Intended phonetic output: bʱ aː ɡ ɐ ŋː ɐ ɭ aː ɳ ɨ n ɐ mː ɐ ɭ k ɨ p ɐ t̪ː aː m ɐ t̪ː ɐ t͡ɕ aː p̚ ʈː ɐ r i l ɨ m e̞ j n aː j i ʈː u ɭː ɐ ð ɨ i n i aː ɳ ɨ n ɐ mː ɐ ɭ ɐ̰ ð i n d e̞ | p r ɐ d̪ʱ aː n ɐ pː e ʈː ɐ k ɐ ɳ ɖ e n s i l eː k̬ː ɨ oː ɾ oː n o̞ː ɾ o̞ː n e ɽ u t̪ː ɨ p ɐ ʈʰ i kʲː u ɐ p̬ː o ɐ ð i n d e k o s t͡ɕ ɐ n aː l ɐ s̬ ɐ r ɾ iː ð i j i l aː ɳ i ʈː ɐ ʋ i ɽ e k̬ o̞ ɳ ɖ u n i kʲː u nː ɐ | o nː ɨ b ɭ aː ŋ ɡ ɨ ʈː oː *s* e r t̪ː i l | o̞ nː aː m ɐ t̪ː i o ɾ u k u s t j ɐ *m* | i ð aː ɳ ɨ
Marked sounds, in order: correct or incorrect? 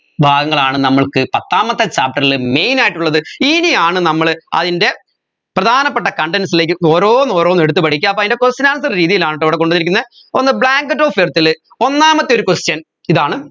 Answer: incorrect, incorrect

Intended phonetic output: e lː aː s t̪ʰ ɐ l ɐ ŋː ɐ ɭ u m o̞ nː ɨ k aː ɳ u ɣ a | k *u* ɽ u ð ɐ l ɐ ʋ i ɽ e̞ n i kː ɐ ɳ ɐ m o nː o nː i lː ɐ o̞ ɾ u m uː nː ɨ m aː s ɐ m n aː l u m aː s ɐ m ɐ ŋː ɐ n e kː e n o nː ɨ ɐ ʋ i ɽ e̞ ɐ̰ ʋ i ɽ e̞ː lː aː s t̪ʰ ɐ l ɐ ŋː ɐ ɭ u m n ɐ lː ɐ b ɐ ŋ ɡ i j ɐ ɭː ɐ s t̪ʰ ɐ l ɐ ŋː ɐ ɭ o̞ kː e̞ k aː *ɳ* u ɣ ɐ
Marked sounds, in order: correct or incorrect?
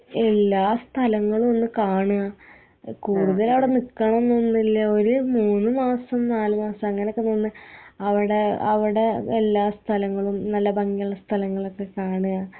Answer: incorrect, correct

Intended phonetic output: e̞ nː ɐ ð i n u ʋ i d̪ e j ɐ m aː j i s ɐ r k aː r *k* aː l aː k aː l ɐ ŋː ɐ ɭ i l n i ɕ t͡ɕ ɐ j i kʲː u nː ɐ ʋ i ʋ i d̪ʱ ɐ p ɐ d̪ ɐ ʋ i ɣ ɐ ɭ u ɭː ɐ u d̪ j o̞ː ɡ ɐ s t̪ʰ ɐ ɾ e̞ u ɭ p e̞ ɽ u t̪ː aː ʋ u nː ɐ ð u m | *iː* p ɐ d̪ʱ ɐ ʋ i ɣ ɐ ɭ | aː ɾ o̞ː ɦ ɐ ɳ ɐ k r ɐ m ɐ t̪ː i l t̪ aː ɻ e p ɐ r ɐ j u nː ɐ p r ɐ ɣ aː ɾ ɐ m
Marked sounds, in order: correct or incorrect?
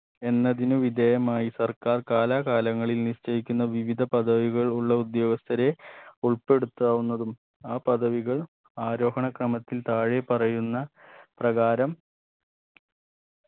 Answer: correct, incorrect

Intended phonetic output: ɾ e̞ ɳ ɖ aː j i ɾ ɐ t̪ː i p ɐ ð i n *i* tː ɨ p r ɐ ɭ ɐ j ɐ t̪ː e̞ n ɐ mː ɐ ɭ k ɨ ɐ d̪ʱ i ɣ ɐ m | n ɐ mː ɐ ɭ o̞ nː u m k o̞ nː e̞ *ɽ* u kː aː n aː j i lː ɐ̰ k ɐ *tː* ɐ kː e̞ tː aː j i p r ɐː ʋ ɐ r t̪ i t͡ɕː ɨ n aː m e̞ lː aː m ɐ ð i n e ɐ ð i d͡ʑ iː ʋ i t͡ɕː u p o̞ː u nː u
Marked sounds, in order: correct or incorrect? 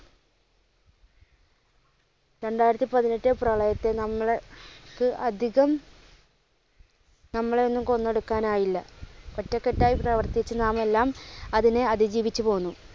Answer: incorrect, correct, correct

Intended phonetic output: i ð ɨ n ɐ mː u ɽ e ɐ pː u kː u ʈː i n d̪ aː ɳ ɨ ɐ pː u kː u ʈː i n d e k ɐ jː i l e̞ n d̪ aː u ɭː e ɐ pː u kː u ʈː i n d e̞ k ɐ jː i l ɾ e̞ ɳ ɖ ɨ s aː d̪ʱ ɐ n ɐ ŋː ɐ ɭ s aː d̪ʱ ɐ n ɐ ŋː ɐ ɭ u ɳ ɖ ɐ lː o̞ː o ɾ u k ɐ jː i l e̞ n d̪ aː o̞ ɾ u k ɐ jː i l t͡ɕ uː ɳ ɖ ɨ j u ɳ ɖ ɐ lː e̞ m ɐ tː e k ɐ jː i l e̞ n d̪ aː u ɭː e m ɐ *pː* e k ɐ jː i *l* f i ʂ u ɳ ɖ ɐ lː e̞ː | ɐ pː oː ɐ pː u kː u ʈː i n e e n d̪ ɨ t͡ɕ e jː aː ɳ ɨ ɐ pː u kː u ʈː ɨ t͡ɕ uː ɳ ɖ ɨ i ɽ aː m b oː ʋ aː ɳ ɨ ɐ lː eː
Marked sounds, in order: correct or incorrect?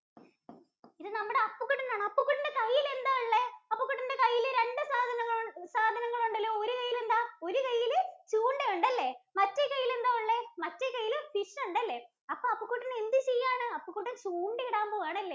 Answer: incorrect, correct

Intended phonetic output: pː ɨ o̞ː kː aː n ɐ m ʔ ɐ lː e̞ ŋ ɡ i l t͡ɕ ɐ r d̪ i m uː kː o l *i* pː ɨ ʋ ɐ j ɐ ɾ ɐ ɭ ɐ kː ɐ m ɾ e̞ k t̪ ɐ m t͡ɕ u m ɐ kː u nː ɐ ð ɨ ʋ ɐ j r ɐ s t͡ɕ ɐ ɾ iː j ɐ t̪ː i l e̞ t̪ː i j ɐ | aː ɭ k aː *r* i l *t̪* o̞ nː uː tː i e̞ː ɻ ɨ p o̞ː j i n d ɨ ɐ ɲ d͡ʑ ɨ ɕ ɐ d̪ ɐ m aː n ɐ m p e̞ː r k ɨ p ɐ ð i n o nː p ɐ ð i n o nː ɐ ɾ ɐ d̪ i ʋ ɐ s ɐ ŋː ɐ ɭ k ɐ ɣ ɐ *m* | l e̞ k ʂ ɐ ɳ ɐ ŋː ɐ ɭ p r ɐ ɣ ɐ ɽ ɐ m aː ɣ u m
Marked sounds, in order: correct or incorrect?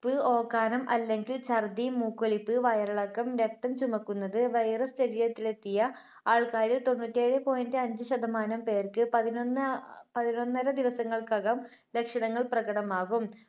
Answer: correct, incorrect, correct, correct

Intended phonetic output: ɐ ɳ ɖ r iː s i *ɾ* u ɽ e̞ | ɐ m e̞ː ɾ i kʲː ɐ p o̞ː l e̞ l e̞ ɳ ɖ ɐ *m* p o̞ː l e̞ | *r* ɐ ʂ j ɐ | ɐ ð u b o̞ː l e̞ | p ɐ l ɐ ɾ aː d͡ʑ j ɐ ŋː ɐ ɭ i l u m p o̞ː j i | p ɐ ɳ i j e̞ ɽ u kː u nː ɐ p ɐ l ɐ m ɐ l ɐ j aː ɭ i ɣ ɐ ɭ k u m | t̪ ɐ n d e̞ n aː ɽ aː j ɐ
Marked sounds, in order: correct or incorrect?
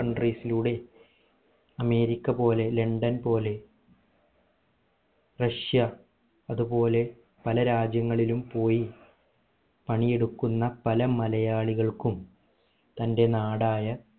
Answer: incorrect, incorrect, correct

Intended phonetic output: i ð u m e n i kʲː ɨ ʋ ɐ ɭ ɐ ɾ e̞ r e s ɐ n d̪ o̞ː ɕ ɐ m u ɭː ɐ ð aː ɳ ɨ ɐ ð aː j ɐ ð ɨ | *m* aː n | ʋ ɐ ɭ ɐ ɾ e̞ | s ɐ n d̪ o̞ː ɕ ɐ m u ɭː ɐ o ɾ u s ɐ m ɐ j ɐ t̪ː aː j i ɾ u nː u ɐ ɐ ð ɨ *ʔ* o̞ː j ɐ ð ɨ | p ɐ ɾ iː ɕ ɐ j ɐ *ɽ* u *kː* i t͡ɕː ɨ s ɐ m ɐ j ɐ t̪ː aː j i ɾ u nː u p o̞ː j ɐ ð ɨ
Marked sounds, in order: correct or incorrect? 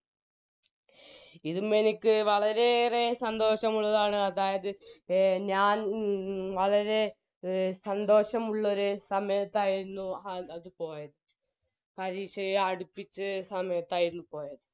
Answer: incorrect, incorrect, correct, incorrect

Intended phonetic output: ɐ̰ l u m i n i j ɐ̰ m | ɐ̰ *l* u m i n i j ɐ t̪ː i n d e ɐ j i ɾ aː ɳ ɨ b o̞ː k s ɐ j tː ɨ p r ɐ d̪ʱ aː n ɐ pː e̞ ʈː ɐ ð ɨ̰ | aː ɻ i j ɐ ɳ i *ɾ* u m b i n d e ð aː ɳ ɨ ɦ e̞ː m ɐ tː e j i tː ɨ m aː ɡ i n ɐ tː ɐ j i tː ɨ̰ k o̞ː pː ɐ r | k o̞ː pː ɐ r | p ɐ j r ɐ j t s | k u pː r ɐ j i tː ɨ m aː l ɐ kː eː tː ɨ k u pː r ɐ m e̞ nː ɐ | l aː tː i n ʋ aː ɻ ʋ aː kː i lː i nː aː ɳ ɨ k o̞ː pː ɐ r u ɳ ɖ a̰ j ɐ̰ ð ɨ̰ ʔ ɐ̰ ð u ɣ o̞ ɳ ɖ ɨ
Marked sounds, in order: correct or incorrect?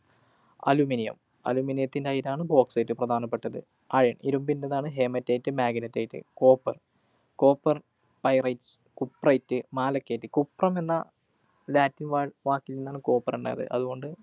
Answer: correct, correct

